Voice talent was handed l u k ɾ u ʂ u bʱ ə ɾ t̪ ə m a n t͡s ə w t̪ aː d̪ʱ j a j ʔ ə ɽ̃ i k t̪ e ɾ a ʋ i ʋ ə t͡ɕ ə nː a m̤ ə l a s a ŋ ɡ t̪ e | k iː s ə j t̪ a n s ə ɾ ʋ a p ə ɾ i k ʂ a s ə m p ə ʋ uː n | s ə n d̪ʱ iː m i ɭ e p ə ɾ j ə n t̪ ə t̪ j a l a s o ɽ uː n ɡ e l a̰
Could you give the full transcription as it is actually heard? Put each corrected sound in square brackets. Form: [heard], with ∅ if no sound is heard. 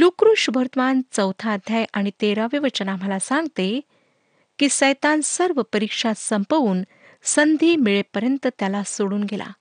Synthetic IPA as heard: l u k ɾ u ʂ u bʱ ə ɾ t̪ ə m a n t͡s ə w [t̪ʰ] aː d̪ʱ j a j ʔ [a] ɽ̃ i [∅] t̪ e ɾ a ʋ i ʋ ə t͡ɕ ə [n] a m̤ ə l a s a ŋ ɡ t̪ e | k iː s ə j t̪ a n s ə ɾ ʋ [ə] p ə ɾ i k ʂ a s ə m p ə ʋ uː n | s ə n d̪ʱ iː m i ɭ e p ə ɾ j ə n t̪ ə t̪ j a l a s o ɽ uː n ɡ e l a̰